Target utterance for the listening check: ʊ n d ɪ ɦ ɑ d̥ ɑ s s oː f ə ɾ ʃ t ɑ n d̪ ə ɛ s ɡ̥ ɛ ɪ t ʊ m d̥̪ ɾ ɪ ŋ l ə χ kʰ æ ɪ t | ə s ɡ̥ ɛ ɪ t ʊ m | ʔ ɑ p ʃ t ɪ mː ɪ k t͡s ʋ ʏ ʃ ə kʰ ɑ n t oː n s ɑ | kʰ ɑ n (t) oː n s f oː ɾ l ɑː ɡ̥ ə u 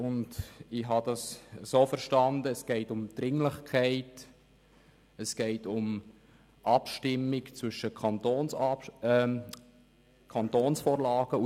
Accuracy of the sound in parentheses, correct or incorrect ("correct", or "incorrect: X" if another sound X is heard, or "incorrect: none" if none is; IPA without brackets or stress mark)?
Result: correct